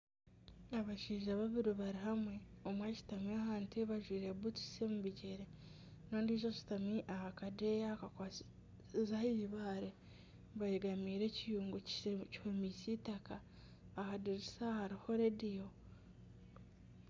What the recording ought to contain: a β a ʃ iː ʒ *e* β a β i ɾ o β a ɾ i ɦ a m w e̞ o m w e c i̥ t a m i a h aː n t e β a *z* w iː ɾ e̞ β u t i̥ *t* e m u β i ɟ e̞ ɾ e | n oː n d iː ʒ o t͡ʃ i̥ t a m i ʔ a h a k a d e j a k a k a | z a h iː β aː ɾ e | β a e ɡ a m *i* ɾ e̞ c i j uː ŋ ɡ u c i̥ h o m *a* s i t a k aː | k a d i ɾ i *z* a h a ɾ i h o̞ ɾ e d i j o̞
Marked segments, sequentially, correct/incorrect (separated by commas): incorrect, incorrect, incorrect, incorrect, incorrect, incorrect